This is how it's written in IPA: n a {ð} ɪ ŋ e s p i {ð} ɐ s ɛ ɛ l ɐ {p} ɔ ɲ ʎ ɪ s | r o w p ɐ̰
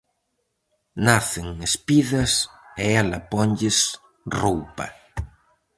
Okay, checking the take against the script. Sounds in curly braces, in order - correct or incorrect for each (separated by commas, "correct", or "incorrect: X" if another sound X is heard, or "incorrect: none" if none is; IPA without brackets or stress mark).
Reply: incorrect: θ, correct, correct